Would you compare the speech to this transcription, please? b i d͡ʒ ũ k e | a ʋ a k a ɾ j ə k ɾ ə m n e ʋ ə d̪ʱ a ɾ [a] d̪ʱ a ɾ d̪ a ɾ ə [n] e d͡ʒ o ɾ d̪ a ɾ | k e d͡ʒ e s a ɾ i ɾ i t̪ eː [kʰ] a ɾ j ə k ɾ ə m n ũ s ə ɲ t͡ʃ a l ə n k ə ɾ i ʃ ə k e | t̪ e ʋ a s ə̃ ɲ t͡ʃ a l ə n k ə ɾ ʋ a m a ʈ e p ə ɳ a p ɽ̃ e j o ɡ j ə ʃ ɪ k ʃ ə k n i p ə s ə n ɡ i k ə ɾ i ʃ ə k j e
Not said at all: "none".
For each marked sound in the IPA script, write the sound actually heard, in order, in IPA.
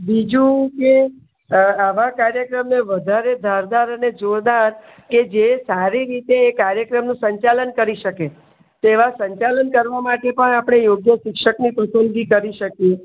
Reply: e, n, k

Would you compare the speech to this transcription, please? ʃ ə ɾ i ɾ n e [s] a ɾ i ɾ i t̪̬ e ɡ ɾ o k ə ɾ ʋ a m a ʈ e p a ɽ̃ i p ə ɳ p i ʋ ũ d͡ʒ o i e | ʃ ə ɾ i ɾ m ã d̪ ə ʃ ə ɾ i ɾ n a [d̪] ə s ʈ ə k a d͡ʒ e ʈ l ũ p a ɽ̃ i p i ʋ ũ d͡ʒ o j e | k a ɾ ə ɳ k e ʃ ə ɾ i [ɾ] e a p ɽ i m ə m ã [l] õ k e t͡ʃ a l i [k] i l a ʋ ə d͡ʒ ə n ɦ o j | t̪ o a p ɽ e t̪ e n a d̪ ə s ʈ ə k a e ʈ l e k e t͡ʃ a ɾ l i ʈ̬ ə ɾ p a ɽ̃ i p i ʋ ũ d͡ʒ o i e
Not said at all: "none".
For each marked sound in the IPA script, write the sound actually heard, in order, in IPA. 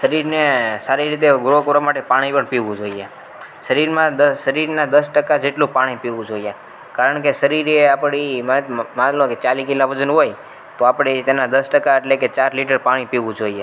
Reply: s, d̪, ɾ, l, k

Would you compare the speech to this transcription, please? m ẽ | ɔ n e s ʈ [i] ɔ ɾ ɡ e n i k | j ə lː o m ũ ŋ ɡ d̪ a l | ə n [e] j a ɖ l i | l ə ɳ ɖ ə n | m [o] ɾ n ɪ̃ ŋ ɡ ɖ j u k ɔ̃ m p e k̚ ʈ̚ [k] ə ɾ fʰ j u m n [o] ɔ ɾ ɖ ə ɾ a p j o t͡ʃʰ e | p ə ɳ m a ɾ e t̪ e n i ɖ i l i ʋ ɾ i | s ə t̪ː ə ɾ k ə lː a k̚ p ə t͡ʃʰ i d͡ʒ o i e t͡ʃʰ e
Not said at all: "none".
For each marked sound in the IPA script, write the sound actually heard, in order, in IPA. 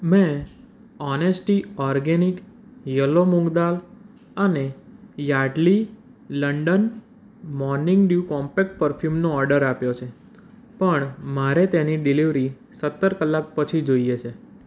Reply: i, e, ɔ, p, o

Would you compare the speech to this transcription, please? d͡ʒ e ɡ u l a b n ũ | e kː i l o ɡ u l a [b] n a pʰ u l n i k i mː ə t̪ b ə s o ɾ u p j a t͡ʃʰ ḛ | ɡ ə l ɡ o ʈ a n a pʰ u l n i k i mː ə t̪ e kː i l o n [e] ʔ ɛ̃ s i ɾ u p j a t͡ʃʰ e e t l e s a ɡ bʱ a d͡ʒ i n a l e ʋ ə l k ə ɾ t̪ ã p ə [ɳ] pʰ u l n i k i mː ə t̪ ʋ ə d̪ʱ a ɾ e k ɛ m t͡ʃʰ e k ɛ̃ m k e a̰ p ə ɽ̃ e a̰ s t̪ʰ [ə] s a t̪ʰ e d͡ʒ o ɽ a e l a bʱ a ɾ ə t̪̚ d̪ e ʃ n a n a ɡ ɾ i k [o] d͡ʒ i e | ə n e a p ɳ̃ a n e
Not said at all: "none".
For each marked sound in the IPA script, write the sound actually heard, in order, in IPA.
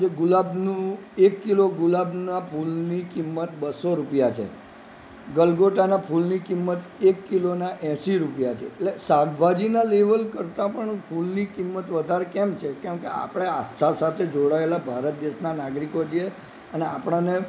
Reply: b, a, ɳ, a, o

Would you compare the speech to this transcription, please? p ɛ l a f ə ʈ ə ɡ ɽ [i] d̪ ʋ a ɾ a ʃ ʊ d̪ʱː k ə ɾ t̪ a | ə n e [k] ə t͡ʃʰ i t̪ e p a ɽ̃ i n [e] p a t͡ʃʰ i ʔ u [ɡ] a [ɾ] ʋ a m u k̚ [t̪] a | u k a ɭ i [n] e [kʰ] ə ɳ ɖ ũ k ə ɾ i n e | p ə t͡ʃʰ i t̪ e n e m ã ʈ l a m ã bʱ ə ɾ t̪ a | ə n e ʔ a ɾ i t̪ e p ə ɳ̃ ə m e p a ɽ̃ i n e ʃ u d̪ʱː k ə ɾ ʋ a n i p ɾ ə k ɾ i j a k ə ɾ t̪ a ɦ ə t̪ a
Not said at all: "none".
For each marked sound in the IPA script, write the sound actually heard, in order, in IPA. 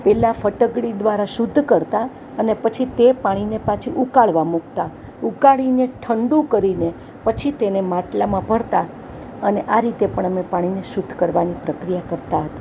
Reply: i, p, e, k, ɭ, t̪, n, ʈʰ

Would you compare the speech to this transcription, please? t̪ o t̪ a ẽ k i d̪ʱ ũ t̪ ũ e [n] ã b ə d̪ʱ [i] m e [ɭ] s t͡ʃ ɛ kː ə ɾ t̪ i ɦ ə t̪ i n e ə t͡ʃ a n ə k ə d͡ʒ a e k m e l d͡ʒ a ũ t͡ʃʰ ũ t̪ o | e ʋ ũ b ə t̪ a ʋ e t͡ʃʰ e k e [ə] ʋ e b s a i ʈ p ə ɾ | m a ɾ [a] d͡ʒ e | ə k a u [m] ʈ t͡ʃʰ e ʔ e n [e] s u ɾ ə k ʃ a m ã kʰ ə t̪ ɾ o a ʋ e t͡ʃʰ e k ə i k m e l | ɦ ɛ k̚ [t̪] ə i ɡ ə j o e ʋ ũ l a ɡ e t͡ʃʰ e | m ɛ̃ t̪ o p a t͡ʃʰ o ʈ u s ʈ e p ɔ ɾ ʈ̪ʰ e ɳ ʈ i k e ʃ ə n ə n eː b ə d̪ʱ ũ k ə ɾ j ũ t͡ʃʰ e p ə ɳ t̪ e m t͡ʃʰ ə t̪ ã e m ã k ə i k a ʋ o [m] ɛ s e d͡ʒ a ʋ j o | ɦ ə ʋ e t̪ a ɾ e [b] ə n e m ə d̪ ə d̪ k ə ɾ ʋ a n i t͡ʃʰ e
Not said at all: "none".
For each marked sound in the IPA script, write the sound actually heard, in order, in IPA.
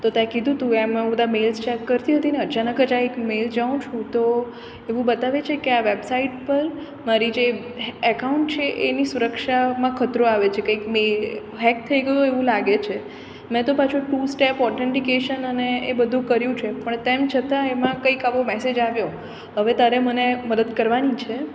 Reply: m, a, l, a, i, ɳ, i, t̪ʰ, m, m

